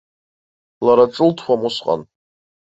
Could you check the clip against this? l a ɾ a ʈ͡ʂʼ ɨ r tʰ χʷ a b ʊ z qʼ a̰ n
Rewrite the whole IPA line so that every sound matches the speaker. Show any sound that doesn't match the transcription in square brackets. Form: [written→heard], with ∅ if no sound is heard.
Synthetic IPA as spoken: l a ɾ a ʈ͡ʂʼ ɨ [r→l] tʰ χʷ a [b→m] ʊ [z→s] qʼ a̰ n